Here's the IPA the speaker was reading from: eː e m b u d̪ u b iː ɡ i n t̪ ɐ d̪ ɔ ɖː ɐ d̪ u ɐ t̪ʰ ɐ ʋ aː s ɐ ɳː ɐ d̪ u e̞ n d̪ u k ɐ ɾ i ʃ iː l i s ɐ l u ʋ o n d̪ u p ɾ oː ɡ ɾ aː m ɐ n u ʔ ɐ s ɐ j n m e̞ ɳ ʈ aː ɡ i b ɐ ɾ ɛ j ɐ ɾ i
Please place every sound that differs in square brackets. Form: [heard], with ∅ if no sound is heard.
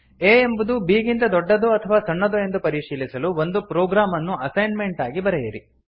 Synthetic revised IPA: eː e m b u d̪ u b iː ɡ i n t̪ ɐ d̪ ɔ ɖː ɐ d̪ u ɐ t̪ʰ ɐ ʋ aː s ɐ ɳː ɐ d̪ u e̞ n d̪ u [p] ɐ ɾ i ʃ iː l i s ɐ l u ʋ o n d̪ u p ɾ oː ɡ ɾ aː m ɐ [nː] u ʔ ɐ s ɐ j n m e̞ ɳ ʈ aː ɡ i b ɐ ɾ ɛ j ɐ ɾ i